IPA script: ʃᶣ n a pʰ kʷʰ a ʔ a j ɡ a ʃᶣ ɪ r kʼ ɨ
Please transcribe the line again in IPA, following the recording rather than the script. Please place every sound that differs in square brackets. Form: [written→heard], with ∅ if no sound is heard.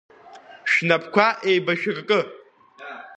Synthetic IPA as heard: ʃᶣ n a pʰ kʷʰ a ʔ [a→e] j [ɡ→b] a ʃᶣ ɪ r kʼ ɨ